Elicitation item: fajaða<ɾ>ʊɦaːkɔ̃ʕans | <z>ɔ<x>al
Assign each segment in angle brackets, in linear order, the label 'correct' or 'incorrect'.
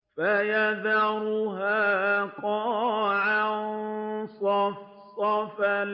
correct, incorrect: s, incorrect: f

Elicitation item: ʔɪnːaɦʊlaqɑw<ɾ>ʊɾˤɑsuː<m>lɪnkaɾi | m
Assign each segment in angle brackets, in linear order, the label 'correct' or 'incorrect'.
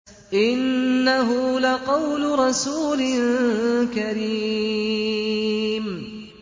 incorrect: l, incorrect: none

